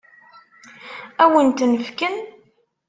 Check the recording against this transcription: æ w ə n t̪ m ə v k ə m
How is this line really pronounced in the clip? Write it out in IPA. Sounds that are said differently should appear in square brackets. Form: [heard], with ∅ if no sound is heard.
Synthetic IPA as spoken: æ w ə n t̪ [n] ə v k ə [n]